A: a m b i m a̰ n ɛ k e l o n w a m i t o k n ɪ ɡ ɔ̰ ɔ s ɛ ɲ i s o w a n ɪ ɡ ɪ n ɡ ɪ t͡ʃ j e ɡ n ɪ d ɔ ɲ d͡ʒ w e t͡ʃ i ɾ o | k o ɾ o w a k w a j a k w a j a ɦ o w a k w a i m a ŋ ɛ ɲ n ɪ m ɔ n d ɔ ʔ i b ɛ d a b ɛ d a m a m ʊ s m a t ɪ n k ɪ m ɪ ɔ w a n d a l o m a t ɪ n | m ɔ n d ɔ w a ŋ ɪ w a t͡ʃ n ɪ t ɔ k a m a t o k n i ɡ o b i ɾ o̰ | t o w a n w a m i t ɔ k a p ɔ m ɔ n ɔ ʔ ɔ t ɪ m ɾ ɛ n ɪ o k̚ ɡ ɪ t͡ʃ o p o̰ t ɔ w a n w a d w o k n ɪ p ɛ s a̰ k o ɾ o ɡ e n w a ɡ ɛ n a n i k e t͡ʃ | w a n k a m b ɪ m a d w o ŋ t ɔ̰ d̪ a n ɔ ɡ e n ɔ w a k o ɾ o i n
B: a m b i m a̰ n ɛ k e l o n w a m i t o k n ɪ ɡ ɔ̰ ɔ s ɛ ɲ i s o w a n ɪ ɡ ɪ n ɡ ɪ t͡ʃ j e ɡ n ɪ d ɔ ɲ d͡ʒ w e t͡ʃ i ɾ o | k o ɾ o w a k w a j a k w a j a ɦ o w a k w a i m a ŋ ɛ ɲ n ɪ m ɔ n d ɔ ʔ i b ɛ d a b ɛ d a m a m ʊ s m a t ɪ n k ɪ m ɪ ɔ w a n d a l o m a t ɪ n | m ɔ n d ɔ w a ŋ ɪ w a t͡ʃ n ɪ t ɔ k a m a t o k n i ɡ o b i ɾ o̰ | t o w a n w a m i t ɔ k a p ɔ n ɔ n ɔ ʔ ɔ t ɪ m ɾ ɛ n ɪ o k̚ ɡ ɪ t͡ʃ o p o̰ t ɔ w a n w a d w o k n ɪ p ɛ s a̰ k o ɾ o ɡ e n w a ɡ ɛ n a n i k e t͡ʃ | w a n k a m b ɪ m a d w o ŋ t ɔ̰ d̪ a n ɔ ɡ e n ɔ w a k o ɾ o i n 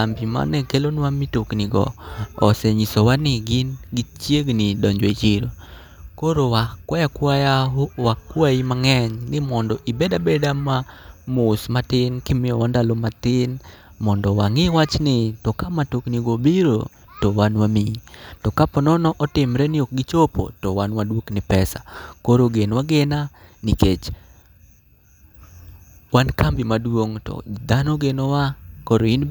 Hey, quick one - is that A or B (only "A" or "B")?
B